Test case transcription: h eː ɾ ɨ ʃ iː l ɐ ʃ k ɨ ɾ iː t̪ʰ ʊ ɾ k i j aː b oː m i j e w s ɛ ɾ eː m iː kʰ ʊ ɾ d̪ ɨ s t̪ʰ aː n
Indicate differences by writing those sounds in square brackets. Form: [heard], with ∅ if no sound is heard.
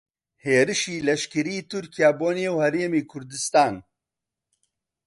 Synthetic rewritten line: h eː ɾ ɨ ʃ iː l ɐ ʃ k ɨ ɾ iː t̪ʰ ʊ ɾ k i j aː b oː [n] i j e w [h] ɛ ɾ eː m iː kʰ ʊ ɾ d̪ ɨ s [t̪] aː n